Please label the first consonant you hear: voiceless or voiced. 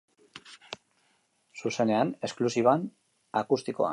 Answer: voiceless